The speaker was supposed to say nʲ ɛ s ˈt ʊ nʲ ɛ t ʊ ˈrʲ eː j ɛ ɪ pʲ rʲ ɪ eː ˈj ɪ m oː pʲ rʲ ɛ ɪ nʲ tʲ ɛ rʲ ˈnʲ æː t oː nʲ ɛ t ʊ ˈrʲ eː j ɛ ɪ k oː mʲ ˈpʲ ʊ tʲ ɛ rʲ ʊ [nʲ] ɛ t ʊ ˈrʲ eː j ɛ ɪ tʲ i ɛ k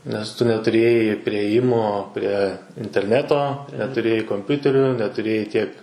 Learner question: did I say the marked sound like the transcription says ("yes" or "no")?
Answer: yes